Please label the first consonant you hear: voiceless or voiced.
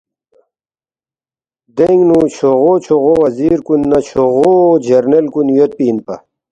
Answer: voiced